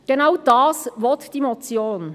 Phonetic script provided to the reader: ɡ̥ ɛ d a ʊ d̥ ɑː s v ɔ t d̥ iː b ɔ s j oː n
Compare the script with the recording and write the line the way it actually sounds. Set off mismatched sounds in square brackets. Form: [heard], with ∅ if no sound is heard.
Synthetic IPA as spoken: ɡ̥ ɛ [n] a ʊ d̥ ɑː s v ɔ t d̥ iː [m] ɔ [t͡s] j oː n